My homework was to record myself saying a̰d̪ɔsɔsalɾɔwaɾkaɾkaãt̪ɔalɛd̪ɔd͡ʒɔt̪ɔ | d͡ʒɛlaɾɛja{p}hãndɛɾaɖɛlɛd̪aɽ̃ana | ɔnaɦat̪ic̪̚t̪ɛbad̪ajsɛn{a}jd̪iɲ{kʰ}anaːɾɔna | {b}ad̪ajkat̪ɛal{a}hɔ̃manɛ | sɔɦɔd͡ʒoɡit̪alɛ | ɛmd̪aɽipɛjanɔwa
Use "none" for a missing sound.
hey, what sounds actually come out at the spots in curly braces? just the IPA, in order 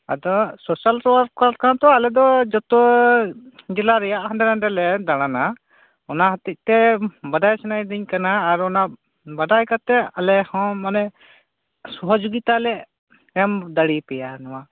ʔ, a, k, b, ɛ

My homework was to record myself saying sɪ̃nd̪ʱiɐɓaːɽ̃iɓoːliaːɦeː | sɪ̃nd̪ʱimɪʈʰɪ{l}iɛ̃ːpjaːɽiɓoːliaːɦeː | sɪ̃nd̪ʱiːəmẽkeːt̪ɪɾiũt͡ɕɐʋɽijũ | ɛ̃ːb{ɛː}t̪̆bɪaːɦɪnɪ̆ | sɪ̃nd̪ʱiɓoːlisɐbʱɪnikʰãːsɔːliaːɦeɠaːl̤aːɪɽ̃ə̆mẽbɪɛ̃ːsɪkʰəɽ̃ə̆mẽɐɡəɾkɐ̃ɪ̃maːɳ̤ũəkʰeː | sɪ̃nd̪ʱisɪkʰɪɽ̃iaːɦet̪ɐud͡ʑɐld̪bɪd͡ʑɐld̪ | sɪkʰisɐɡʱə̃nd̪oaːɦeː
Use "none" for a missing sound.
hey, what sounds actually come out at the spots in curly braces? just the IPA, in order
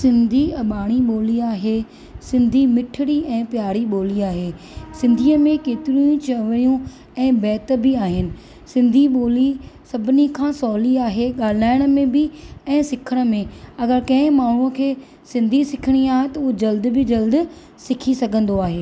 ɽ, ɛː

